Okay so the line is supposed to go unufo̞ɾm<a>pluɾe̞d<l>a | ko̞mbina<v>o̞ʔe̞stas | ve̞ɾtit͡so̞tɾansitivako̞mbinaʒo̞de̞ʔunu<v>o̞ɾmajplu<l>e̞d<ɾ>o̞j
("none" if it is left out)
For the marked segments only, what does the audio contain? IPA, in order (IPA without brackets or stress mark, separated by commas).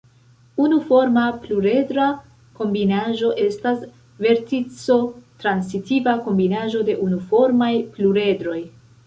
a, ɾ, ʒ, f, ɾ, ɾ